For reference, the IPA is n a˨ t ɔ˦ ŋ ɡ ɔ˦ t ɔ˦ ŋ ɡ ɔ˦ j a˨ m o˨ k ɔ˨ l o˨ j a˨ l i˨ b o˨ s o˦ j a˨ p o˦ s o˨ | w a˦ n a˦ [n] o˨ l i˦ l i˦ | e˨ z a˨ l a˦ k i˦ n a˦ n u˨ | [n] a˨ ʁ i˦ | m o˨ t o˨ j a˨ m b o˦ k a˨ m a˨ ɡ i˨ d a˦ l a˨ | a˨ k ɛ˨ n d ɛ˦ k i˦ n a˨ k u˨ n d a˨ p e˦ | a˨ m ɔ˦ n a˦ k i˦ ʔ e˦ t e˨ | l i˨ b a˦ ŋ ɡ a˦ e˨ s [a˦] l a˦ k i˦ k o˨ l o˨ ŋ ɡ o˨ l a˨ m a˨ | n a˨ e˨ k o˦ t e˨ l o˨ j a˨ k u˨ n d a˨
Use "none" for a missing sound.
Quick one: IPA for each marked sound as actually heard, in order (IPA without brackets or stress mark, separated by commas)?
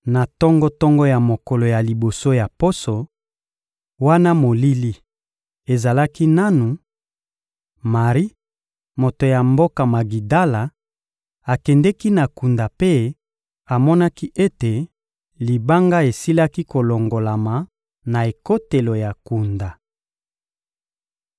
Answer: m, m, i˦